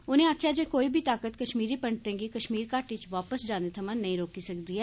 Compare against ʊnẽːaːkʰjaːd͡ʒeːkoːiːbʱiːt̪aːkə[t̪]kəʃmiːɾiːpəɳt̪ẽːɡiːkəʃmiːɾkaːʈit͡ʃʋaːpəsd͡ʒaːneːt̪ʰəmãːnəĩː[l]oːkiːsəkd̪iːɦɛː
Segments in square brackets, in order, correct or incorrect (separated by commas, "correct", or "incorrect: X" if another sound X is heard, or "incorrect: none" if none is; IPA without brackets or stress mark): correct, incorrect: ɾ